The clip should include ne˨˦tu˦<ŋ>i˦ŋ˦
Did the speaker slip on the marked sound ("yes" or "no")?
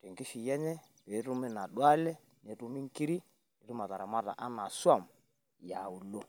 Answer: yes